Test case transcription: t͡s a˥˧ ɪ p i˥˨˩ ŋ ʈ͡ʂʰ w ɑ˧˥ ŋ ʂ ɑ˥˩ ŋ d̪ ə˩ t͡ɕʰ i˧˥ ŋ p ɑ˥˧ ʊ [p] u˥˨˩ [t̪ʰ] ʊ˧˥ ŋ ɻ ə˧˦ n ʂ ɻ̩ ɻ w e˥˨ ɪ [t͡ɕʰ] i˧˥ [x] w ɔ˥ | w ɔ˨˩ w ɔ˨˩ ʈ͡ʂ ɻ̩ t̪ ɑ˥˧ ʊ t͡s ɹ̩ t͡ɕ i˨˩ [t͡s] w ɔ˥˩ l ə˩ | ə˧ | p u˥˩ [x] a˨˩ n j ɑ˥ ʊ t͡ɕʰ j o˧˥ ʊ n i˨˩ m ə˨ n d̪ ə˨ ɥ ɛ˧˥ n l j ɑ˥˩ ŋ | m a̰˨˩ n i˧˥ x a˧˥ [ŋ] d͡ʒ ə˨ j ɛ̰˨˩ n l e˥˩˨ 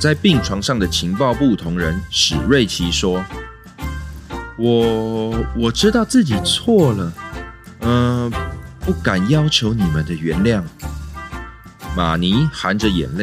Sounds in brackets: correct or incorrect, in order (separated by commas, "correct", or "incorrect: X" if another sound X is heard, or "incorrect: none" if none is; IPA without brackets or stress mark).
correct, correct, correct, incorrect: ʂ, incorrect: t͡sʰ, incorrect: k, incorrect: n